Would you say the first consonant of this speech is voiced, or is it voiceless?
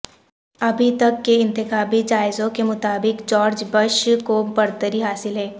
voiced